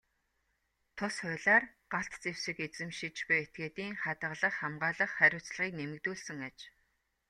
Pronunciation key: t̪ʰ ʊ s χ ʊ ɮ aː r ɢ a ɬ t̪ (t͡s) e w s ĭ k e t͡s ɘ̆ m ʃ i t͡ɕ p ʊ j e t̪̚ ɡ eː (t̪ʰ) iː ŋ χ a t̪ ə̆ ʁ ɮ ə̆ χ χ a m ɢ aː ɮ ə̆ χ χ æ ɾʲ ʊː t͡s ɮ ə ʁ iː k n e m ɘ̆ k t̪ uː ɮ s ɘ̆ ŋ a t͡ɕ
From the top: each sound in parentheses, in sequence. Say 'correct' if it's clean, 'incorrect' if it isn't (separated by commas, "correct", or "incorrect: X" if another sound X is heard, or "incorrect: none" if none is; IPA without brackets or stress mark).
correct, incorrect: t̪